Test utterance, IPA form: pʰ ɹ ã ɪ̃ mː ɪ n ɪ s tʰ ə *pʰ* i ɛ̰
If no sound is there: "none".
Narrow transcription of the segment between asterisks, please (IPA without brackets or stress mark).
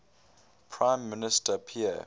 pʰ